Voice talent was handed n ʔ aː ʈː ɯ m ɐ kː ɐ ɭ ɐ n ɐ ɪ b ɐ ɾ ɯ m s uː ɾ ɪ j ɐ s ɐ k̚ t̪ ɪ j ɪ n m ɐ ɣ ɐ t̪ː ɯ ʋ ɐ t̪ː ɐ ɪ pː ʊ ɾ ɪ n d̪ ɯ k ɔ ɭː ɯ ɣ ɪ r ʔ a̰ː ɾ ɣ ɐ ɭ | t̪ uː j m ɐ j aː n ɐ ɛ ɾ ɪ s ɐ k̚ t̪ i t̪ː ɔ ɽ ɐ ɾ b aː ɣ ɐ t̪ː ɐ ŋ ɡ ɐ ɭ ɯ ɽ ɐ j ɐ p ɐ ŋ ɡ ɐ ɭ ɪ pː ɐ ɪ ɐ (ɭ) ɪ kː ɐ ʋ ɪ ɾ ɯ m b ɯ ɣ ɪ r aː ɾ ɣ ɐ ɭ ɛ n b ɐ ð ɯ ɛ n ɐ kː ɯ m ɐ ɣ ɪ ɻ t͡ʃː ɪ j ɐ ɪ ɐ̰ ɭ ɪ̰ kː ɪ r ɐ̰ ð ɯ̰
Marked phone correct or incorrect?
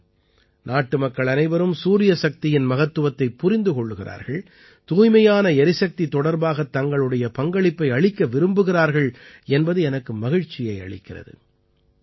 correct